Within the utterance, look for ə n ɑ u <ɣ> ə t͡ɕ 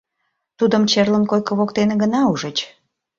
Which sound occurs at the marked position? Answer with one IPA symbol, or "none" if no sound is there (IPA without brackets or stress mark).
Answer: ʒ